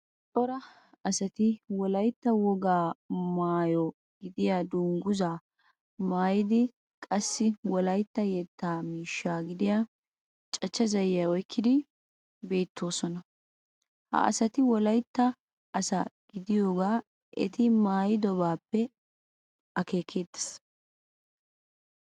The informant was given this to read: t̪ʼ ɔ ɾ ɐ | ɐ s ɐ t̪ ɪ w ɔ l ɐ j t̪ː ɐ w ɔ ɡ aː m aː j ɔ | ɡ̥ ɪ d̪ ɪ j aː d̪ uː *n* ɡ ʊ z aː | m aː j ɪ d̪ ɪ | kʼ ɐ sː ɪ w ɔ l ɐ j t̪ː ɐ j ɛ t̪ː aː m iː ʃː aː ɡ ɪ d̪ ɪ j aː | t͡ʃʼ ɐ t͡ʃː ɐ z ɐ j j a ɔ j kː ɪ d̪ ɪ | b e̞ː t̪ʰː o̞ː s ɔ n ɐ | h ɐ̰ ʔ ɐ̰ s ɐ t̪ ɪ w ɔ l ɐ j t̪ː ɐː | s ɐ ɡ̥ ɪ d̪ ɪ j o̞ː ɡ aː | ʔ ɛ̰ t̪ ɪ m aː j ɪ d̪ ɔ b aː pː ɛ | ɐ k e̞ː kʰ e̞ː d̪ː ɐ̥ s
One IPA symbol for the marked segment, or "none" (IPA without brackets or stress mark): ŋ